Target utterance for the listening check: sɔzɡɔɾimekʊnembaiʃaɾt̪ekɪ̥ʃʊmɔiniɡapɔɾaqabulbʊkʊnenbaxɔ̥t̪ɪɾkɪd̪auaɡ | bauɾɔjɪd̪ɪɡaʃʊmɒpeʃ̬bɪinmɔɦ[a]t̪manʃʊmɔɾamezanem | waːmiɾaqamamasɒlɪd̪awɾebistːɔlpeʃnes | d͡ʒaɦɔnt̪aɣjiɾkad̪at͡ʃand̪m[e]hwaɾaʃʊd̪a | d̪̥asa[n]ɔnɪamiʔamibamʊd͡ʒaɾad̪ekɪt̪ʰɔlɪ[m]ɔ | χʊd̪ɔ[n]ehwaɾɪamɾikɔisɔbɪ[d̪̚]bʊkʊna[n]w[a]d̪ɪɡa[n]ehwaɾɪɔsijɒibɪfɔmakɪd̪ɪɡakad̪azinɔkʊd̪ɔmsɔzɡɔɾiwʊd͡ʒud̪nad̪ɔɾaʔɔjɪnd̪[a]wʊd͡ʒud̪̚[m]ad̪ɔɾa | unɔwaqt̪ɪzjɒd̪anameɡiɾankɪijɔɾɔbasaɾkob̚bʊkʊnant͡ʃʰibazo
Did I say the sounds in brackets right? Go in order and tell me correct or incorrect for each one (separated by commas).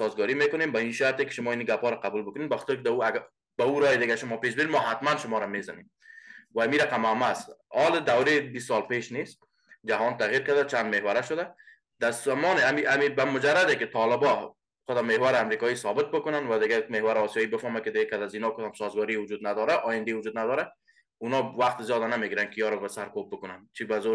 correct, correct, incorrect, incorrect, incorrect, incorrect, correct, correct, incorrect, incorrect, incorrect